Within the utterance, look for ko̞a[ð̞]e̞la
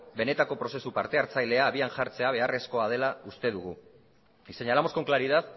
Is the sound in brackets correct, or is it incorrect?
correct